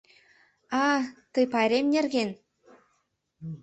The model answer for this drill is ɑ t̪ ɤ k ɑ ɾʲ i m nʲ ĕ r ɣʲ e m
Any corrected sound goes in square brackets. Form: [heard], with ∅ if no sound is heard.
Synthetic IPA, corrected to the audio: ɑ t̪ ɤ [p] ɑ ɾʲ [e] m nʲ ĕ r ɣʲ e [n]

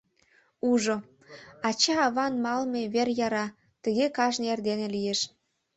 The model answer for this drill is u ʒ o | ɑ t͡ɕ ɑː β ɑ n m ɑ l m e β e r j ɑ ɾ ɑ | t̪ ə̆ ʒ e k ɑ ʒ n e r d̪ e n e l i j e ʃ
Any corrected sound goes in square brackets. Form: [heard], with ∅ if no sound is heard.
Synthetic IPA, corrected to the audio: u ʒ o | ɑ t͡ɕ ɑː β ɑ n m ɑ l m e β e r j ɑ ɾ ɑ | t̪ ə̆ [ɣ] e k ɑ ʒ n e r d̪ e n e l i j e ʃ

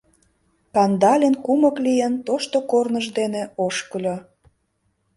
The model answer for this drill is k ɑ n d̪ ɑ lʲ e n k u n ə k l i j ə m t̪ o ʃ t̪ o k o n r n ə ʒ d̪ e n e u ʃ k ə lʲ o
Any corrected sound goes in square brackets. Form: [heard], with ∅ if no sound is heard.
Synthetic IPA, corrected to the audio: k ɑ n d̪ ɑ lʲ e n k u [m] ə k l i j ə [n] t̪ o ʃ t̪ o k o [∅] r n ə ʒ d̪ e n e [o] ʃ k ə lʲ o

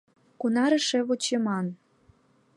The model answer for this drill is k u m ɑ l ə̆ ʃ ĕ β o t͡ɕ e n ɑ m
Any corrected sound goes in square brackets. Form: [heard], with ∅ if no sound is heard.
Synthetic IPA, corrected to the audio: k u [n] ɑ [ɾ] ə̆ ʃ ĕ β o t͡ɕ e [m] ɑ [n]

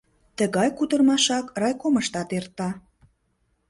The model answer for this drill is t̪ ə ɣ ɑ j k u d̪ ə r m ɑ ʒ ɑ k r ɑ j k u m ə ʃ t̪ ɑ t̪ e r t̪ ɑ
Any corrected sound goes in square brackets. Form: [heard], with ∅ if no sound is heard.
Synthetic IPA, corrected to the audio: t̪ ə ɣ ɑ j k u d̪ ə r m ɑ [ʃ] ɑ k r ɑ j k [o] m ə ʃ t̪ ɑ t̪ e r t̪ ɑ

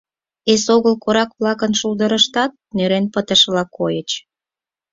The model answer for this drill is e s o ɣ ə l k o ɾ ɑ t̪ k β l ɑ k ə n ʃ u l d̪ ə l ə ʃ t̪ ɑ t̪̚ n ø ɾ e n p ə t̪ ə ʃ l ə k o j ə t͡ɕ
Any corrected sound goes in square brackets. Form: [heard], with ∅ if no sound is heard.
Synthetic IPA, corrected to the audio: e s o ɣ ə l k o ɾ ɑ [∅] k β l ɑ k ə n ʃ u l d̪ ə [ɾ] ə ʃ t̪ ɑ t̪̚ n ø ɾ e n p ə t̪ ə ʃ l [ɑ] k o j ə t͡ɕ

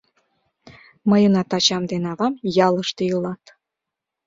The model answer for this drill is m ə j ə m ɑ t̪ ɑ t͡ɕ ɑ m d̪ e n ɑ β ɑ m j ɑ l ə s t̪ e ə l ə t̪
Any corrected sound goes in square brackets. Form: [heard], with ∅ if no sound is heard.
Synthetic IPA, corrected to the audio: m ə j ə [n] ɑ t̪ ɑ t͡ɕ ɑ m d̪ e n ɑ β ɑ m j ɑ l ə [ʃ] t̪ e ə l [ɑ] t̪

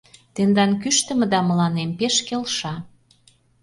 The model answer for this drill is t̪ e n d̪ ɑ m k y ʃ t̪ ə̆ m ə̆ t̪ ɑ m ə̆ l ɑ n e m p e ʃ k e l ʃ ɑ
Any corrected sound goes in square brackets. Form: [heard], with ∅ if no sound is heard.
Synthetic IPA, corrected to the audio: t̪ e n d̪ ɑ [n] k y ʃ t̪ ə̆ m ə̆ [d̪] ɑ m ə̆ l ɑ n e m p e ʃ k e l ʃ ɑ

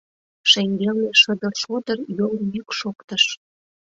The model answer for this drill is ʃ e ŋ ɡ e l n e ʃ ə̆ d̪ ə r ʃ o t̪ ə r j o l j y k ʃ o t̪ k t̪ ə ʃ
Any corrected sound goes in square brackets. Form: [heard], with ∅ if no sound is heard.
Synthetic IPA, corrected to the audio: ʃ e ŋ ɡ e l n e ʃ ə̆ d̪ ə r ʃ o [d̪] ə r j o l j y k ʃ o [∅] k t̪ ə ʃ

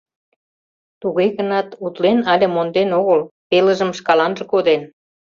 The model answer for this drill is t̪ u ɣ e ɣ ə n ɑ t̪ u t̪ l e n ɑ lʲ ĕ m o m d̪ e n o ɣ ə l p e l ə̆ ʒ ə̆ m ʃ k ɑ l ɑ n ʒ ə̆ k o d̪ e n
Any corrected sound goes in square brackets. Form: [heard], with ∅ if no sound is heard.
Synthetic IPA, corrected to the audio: t̪ u ɣ e ɣ ə n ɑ t̪ u t̪ l e n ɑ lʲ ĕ m o [n] d̪ e n o ɣ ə l p e l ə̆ ʒ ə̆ m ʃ k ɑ l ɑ n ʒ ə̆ k o d̪ e n

